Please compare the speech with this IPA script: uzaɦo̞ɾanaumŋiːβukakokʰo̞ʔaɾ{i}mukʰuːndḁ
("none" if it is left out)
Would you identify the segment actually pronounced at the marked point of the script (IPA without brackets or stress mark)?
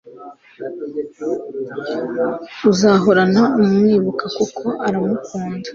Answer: a